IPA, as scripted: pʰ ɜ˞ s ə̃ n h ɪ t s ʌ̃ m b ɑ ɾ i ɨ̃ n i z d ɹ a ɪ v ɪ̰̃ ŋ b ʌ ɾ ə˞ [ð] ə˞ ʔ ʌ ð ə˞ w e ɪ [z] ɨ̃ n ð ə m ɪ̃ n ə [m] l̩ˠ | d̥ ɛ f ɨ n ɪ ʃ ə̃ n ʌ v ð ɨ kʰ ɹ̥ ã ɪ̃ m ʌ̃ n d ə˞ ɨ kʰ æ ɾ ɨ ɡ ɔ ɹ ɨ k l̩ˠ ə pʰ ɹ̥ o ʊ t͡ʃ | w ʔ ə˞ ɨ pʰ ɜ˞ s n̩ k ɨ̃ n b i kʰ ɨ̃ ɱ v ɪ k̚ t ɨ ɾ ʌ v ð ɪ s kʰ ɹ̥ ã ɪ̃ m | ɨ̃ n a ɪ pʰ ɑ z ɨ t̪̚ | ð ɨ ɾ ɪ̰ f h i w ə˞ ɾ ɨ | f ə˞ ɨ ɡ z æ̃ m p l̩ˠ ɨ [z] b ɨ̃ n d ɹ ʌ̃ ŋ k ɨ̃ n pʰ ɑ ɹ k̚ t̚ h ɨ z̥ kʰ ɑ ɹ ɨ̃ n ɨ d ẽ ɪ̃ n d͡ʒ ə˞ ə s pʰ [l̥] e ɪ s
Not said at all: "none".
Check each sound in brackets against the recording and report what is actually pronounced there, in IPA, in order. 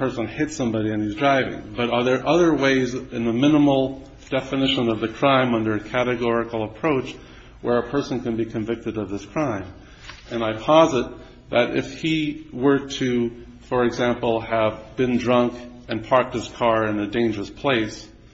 ð, z, m, v, l̥

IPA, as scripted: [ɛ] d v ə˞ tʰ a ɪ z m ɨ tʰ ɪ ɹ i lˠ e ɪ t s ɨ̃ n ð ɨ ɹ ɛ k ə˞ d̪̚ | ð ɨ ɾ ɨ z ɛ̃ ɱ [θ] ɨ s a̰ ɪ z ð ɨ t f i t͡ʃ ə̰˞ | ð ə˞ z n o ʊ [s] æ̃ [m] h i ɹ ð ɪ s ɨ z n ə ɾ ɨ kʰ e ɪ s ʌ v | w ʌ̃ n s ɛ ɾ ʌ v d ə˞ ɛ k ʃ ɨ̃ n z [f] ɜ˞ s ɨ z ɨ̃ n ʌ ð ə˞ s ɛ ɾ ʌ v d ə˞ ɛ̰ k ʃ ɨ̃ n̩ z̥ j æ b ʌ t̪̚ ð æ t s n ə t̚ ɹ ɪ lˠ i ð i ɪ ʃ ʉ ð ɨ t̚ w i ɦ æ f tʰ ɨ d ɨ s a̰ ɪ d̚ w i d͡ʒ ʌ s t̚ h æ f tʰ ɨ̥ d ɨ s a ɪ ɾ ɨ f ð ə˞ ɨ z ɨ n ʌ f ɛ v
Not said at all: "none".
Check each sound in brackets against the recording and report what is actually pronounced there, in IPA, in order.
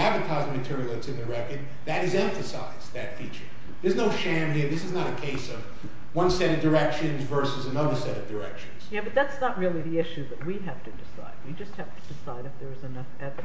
æ, f, ʃ, m, v

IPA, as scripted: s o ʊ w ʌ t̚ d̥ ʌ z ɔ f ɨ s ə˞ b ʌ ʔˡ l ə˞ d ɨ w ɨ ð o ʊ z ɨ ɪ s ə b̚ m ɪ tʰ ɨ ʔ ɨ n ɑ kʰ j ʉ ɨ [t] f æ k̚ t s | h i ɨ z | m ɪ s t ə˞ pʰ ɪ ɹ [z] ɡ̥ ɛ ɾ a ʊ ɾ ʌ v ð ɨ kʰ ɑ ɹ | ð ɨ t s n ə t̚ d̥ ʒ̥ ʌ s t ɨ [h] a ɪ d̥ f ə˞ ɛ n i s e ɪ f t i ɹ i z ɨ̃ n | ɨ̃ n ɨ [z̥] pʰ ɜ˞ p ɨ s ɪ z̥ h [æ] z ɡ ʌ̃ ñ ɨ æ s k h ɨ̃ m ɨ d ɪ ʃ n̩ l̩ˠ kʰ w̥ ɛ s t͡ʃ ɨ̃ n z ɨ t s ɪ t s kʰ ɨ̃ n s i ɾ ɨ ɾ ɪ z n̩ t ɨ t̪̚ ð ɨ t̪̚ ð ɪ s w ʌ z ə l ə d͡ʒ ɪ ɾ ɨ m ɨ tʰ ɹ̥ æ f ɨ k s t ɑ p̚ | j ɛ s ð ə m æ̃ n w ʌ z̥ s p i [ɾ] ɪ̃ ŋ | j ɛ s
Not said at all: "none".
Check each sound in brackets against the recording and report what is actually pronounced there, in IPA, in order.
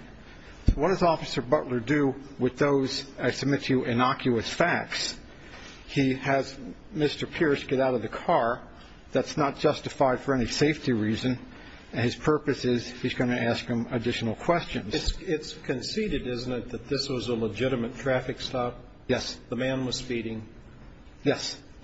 s, s, f, z̥, i, ɾ

